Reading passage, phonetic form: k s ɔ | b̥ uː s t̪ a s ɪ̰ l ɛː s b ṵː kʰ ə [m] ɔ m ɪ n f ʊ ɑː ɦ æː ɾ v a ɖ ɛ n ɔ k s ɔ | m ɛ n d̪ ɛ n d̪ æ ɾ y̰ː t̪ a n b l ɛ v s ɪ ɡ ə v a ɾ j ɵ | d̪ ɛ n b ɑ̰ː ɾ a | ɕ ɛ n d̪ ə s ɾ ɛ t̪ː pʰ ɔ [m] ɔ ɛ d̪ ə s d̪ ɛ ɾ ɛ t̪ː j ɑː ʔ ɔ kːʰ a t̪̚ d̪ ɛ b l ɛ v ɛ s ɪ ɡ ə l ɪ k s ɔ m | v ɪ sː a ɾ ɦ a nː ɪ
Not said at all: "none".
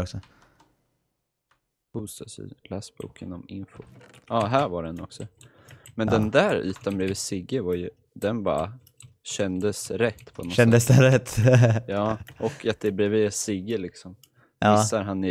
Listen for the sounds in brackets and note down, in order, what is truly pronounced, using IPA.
n, n

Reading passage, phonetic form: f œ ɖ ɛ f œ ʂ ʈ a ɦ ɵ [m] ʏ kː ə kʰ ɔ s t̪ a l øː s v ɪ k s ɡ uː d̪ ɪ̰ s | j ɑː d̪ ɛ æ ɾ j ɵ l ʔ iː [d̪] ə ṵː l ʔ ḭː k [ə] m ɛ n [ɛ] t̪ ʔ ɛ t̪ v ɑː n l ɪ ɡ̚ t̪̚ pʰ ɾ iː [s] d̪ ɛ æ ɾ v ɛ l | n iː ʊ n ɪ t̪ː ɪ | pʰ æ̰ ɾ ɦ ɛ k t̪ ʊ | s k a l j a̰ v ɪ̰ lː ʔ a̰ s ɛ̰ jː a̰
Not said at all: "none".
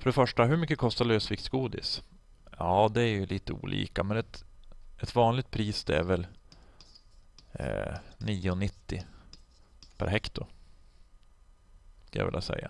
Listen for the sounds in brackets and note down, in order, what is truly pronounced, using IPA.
m, t̪, a, ɛ, s

